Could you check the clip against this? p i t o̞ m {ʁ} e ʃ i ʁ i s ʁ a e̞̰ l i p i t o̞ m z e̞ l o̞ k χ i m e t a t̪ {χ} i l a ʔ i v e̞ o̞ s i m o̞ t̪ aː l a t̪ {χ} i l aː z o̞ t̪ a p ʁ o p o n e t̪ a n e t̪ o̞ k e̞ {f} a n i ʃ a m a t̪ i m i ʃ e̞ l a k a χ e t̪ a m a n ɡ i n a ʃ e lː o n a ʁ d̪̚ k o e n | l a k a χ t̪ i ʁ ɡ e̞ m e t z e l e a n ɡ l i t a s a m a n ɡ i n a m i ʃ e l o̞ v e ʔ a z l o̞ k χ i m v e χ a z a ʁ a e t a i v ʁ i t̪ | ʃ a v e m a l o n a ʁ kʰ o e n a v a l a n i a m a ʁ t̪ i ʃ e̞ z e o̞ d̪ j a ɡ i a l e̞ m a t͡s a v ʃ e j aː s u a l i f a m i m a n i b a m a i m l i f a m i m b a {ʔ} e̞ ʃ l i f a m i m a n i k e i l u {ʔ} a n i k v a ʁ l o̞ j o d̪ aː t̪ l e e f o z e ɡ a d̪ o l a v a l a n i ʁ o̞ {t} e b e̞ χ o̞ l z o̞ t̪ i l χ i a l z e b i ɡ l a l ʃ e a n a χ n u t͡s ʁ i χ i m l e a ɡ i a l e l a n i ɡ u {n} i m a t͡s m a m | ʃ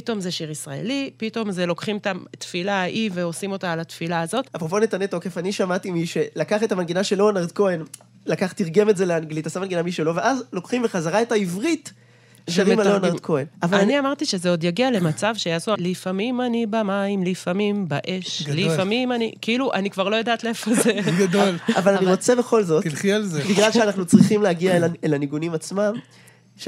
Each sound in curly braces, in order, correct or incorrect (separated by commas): incorrect, incorrect, incorrect, correct, correct, correct, incorrect, correct